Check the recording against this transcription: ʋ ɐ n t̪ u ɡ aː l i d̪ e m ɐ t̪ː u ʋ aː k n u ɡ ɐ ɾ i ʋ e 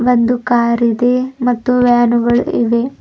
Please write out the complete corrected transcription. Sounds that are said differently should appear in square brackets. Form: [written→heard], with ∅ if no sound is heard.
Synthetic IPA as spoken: ʋ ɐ n [t̪→d̪] u [ɡ→k] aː [l→ɾ] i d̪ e m ɐ t̪ː u ʋ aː [k→∅] n u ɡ ɐ [ɾ→ɭ] i ʋ e